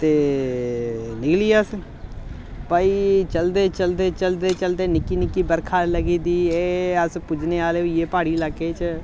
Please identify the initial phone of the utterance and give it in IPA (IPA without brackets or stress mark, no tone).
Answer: t̪